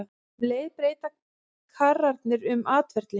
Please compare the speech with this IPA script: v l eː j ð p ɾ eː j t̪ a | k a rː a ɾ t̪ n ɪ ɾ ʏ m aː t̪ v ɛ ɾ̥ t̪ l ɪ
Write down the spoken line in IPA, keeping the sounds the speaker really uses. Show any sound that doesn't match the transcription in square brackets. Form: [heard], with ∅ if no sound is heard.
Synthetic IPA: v l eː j ð p ɾ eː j t̪ a | [kʰ] a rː a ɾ t̪ n ɪ ɾ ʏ m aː t̪ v ɛ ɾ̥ t̪ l ɪ